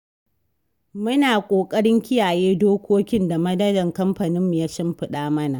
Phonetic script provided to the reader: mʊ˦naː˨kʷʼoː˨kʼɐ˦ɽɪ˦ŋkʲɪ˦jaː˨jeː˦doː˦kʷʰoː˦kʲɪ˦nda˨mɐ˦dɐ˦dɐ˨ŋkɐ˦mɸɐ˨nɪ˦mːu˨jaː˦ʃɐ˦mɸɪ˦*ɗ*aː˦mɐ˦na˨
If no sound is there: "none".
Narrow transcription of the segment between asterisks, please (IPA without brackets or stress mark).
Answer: ɗ